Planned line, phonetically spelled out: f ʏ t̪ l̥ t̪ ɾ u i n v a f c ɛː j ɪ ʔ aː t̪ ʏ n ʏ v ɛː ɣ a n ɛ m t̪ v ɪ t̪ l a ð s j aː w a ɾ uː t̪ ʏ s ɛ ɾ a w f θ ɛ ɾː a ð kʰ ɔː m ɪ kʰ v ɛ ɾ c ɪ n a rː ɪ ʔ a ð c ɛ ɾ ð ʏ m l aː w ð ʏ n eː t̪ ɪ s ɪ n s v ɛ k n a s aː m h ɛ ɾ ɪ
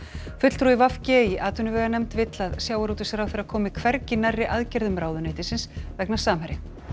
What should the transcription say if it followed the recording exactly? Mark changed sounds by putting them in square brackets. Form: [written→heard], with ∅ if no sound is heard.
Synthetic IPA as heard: f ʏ t̪ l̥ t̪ ɾ u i [n→∅] v a f c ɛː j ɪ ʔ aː t̪ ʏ n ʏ v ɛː ɣ a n ɛ m t̪ v ɪ t̪ l a ð s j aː w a ɾ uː t̪ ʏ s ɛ ɾ a w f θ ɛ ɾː a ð kʰ ɔː m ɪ kʰ v ɛ ɾ c ɪ n a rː ɪ ʔ a ð c ɛ ɾ ð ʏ m [l→ɾ] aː w ð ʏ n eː t̪ ɪ s ɪ n s v ɛ k n a s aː m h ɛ ɾ ɪ